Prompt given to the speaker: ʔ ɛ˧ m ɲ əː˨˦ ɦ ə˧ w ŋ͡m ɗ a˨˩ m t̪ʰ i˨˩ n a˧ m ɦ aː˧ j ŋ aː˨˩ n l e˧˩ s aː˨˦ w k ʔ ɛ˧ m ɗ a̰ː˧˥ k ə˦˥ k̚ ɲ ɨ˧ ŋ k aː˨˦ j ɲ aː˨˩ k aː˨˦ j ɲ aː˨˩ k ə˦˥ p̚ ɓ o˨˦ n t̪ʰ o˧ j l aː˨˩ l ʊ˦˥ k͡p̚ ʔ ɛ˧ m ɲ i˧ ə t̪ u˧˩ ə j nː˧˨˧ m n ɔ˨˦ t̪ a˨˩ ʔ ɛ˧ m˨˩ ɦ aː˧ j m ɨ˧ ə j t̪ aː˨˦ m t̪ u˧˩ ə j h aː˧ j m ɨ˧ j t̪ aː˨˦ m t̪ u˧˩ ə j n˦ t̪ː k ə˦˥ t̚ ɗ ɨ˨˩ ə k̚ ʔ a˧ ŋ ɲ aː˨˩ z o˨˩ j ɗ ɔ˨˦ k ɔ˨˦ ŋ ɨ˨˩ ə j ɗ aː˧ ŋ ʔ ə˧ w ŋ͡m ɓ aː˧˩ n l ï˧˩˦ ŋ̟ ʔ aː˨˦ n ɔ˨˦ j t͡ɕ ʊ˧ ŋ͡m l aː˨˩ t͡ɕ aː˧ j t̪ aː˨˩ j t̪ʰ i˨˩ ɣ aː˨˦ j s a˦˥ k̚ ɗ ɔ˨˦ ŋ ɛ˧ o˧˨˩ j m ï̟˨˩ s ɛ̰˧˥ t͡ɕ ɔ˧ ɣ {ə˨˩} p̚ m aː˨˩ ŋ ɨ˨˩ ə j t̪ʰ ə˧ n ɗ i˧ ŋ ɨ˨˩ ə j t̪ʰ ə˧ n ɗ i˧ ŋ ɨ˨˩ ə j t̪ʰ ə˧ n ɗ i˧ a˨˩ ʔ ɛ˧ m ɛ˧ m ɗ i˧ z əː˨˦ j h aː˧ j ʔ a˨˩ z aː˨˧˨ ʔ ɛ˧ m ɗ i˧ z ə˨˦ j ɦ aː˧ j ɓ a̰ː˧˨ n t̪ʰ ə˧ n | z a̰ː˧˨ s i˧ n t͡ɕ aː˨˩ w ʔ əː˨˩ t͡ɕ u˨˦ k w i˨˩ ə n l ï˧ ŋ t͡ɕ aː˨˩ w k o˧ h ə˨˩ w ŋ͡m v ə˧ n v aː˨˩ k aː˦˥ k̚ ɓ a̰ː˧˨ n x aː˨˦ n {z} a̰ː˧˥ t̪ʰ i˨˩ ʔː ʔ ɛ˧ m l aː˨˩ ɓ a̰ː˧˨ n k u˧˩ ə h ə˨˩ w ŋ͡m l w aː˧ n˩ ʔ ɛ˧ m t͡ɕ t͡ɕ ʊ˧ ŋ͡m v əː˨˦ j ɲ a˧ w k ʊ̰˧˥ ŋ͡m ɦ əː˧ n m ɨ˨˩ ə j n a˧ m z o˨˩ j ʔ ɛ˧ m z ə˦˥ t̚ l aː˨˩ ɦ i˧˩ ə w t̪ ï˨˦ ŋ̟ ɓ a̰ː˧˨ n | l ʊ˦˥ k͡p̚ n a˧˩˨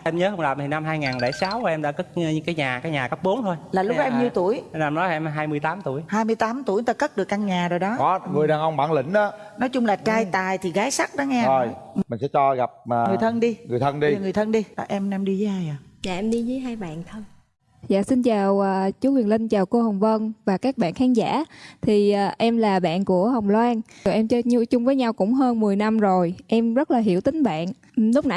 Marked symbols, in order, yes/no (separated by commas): no, yes